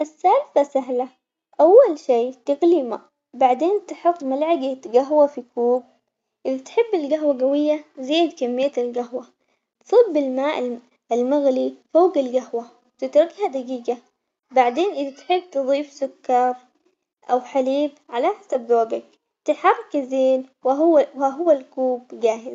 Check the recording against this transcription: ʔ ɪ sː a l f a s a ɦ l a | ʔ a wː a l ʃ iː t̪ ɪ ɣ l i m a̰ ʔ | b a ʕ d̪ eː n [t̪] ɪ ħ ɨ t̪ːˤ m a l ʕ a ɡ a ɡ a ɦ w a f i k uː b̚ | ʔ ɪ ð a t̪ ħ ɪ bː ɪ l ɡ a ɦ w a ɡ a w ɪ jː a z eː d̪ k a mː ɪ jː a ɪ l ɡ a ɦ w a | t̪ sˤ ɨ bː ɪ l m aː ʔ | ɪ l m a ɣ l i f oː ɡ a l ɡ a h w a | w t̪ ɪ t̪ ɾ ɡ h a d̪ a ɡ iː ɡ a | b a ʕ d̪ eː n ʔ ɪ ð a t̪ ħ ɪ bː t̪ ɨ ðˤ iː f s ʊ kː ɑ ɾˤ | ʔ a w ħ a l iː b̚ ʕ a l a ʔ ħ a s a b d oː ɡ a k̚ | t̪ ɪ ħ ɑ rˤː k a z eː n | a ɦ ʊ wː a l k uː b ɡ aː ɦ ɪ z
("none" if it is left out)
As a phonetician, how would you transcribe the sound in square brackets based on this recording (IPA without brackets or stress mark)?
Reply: t̪